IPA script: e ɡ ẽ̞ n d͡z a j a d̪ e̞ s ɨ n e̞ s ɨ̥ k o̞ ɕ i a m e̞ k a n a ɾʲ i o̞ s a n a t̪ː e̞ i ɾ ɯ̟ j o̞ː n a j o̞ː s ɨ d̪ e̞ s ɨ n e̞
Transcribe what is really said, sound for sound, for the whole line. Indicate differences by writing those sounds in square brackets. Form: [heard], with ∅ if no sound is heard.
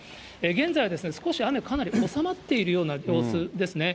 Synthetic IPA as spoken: e ɡ ẽ̞ n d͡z a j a d̪ e̞ s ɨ n e̞ s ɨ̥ k o̞ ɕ i a m e̞ k a n a ɾʲ i o̞ s a [m] a t̪ː e̞ i ɾ ɯ̟ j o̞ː n a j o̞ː s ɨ d̪ e̞ s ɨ n e̞